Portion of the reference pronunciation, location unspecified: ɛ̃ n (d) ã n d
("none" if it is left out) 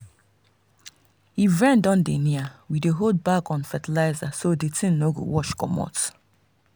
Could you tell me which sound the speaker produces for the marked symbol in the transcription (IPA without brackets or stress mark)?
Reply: d